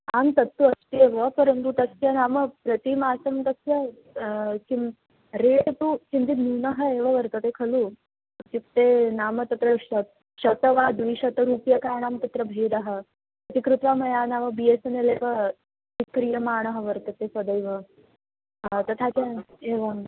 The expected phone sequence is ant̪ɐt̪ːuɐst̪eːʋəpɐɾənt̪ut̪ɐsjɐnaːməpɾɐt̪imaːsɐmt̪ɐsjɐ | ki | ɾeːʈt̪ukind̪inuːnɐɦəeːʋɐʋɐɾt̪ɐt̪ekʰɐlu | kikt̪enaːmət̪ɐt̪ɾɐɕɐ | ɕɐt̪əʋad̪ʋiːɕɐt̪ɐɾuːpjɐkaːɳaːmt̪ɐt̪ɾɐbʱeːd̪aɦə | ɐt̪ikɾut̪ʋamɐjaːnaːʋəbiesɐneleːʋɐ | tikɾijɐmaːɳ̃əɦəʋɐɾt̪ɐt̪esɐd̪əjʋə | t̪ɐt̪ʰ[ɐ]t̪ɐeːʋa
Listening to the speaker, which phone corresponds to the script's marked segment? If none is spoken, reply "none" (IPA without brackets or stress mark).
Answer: a